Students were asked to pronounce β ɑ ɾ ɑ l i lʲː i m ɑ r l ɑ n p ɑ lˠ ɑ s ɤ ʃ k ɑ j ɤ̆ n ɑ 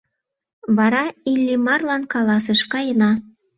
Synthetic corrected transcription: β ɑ ɾ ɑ i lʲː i m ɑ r l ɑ n k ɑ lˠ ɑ s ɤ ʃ k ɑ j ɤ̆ n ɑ